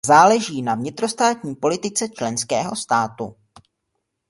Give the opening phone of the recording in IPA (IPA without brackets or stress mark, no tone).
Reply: z